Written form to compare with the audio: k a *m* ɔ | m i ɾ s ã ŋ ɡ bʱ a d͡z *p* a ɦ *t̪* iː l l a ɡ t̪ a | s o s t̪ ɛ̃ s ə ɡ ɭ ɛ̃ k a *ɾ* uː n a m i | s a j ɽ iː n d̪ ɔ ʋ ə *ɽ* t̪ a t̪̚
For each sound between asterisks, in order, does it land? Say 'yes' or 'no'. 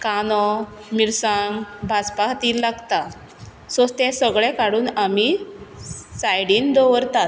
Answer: no, yes, yes, no, no

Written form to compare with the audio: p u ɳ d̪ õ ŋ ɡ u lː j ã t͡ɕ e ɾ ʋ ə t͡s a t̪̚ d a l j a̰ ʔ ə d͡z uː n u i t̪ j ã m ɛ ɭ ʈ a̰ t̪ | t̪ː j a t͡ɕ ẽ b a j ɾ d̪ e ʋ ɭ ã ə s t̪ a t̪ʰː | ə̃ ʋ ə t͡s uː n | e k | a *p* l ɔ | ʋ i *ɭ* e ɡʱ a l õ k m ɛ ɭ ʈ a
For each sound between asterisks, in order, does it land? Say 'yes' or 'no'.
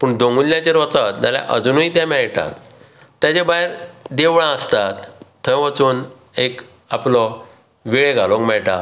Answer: yes, yes

